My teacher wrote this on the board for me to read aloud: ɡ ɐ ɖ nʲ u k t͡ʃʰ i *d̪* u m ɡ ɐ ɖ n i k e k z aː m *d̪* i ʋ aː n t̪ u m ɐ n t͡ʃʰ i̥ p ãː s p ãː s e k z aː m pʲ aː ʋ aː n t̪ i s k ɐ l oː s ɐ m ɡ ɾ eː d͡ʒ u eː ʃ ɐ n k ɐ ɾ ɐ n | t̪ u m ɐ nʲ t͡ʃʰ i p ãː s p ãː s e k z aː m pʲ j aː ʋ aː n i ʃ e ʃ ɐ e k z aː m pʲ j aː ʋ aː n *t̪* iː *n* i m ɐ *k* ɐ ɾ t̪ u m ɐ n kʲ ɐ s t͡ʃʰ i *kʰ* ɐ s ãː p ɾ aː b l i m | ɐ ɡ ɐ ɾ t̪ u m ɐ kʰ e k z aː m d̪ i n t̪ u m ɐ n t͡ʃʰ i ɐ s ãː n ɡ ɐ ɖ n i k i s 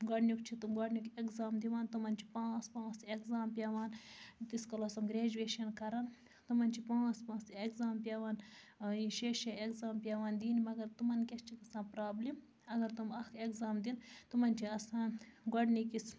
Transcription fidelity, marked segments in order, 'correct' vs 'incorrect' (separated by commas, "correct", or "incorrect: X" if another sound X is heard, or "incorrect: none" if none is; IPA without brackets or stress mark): incorrect: t̪, correct, incorrect: d̪, correct, incorrect: ɡ, incorrect: k